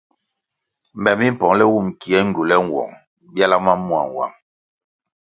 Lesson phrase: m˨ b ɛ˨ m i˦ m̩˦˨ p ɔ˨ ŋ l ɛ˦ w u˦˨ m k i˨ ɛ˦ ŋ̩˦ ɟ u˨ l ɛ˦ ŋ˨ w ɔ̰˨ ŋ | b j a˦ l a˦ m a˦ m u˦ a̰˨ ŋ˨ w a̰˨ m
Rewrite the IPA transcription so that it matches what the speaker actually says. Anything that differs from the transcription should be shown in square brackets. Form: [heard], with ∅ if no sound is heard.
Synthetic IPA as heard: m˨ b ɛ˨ m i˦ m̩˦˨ p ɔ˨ ŋ l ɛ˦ w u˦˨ m k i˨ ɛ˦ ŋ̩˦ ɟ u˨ l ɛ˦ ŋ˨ w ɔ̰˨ ŋ | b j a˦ l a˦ m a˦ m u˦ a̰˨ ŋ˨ w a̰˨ m